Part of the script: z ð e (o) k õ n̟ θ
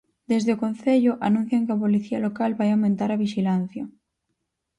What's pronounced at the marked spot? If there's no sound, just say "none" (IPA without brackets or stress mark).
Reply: o